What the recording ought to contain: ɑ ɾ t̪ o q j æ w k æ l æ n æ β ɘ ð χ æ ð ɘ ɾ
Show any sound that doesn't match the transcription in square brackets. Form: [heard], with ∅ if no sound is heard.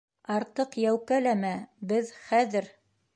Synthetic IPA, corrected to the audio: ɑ ɾ t̪ [ɤ] q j æ w k æ l æ [m] æ [b] ɘ ð χ æ ð ɘ ɾ